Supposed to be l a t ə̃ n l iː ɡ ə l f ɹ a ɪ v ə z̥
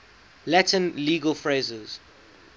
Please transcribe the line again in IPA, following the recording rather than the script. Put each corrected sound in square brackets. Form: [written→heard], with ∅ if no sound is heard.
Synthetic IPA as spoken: l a t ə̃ n l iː ɡ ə l f ɹ [a→e] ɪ [v→z] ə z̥